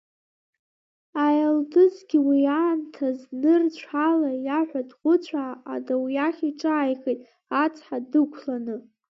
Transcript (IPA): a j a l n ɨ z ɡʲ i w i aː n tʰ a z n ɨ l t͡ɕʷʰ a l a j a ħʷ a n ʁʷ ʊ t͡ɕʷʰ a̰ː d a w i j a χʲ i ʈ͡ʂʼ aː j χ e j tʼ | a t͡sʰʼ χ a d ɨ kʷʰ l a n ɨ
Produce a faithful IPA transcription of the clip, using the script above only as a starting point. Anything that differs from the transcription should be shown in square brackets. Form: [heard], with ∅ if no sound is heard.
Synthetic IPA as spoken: a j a l [d] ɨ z ɡʲ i w i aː n tʰ a z n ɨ [r] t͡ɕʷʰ a l a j a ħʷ a [d] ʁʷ ʊ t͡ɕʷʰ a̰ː d a w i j a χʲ i ʈ͡ʂʼ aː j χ e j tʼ | a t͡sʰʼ [ħ] a d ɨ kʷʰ l a n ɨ